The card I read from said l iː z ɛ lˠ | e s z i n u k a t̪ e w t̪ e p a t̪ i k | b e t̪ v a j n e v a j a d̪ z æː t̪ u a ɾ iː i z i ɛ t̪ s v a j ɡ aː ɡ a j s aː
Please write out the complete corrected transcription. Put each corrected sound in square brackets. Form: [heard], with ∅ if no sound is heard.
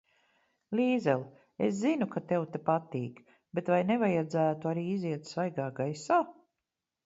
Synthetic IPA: l iː z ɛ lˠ | e s z i n u k a t̪ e w t̪ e p a t̪ [iː] k | b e t̪ v a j n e v a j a d̪ z æː t̪ u a ɾ iː i z i ɛ t̪ s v a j ɡ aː ɡ a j s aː